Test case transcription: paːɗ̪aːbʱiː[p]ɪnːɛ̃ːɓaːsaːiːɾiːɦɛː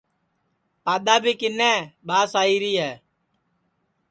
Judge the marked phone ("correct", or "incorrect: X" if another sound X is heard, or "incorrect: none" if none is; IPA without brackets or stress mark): incorrect: k